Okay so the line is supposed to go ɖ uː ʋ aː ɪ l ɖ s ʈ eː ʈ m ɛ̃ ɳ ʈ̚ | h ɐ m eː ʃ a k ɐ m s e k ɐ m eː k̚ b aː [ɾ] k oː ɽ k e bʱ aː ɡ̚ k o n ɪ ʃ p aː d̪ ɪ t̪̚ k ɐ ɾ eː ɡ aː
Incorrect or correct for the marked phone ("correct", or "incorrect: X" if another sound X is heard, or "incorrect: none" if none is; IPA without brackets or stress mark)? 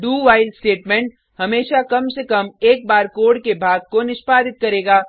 correct